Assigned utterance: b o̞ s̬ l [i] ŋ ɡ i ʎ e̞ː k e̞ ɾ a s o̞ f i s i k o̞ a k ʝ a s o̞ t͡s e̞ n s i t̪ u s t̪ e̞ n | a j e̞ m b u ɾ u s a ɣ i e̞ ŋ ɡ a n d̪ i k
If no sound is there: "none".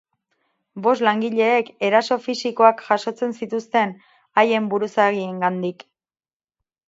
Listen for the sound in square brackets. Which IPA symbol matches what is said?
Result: a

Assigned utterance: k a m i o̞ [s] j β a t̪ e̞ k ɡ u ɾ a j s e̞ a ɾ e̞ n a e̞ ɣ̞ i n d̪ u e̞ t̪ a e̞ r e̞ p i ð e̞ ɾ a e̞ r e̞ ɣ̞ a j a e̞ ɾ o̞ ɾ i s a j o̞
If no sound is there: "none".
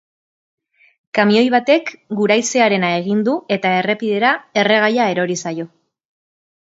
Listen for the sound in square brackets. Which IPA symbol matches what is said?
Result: none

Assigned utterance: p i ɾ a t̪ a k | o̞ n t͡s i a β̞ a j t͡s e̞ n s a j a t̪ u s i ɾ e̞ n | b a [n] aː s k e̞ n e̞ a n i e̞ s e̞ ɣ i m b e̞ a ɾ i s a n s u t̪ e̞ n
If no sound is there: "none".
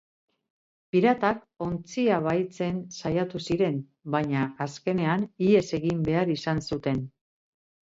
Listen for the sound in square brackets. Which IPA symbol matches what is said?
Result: ɲ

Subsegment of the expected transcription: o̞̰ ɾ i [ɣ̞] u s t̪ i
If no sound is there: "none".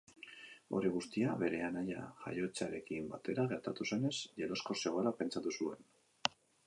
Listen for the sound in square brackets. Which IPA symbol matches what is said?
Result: ɣ̞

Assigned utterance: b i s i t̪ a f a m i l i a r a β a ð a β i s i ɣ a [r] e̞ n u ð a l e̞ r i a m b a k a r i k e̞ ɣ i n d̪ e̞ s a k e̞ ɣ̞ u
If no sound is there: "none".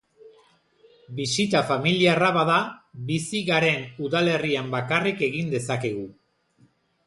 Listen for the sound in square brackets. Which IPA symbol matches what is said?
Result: ɾ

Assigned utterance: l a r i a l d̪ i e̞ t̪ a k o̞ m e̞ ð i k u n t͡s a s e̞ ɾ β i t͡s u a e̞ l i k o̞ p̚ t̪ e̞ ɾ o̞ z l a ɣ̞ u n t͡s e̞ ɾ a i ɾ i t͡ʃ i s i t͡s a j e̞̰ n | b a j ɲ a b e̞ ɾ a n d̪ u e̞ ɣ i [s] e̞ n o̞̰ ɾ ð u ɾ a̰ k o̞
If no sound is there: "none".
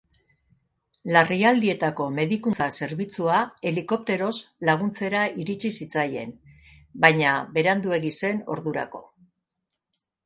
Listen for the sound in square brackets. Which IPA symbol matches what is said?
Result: s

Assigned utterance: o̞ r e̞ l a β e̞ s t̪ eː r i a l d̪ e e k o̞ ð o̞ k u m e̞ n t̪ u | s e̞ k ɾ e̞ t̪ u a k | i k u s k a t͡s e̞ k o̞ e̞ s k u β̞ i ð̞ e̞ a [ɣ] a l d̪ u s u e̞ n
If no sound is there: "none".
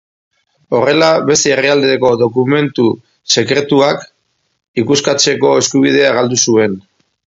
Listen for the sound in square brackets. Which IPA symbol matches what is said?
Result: ɣ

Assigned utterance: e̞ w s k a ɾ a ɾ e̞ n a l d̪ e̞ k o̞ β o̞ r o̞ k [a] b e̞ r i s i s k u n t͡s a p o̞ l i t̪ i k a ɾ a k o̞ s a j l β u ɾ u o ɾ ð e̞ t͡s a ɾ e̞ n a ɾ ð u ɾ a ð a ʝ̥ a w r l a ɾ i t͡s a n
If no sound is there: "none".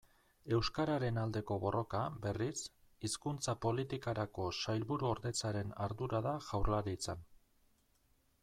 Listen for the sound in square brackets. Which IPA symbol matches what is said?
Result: a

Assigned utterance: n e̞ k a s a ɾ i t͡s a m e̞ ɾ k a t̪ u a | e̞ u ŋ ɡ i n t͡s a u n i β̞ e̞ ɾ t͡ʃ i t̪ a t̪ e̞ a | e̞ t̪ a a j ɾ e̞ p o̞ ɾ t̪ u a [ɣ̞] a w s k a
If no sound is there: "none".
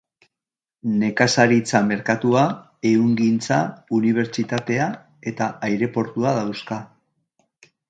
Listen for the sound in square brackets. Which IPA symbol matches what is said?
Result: ð̞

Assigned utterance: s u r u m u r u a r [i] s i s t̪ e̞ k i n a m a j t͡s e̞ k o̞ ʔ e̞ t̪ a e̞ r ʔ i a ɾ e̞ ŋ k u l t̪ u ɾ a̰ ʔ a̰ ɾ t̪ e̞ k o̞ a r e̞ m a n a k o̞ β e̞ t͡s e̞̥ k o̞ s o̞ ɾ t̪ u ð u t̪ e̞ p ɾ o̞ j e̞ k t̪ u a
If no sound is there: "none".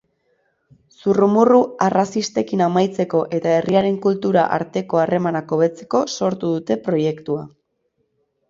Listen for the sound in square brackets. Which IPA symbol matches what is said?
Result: a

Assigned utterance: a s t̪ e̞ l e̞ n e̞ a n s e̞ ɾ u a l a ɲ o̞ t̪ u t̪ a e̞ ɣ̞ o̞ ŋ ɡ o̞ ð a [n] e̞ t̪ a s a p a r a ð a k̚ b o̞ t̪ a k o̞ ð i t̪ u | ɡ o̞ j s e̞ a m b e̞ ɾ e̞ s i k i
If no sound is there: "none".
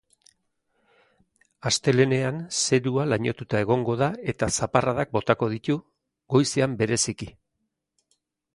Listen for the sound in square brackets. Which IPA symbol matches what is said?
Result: none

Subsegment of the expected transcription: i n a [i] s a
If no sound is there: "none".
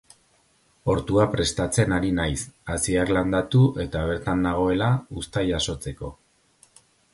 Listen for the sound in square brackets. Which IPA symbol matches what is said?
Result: j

